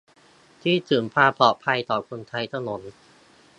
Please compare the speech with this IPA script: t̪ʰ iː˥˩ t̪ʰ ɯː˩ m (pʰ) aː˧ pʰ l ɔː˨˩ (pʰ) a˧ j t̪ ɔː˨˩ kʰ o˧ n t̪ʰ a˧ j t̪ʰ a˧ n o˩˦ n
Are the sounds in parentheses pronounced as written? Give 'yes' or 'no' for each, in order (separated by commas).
yes, yes